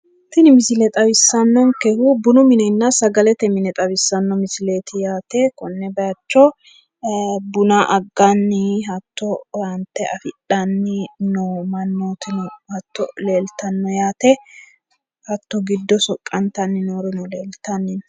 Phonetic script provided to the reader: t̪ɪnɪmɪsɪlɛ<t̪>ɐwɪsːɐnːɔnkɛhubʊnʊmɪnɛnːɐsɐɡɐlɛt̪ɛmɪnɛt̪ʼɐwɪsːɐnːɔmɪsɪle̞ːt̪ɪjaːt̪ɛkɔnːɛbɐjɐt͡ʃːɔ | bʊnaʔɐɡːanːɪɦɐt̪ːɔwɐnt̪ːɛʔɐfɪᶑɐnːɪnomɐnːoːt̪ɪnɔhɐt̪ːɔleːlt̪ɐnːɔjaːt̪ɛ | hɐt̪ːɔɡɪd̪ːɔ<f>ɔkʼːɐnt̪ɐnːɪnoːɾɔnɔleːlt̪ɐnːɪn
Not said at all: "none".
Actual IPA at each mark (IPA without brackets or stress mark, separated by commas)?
t̪ʼ, s